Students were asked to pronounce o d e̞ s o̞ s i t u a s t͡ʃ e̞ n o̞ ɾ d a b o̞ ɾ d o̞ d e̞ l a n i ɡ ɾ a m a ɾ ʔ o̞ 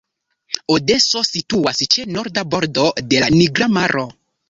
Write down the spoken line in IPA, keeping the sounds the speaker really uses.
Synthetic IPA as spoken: o d e̞ s o̞ s i t u a s t͡ʃ e̞ n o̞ ɾ d a b o̞ ɾ d o̞ d e̞ l a n i ɡ ɾ a m a ɾ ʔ o̞